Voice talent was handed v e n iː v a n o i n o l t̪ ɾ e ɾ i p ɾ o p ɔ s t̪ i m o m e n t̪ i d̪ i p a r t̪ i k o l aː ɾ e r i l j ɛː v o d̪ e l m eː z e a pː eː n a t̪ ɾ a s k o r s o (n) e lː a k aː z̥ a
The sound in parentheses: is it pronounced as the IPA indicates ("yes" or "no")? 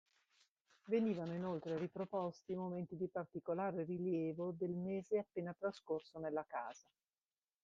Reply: yes